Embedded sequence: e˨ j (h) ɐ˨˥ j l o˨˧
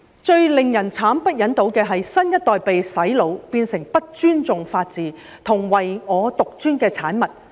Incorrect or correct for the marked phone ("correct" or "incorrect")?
incorrect